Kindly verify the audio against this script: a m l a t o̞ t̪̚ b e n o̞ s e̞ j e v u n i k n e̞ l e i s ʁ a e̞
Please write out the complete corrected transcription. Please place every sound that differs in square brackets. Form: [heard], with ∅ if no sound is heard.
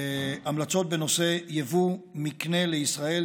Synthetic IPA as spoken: a m l a [t͡s] o̞ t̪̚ b e n o̞ s e̞ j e v u [m] i k n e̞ l e i s ʁ a e̞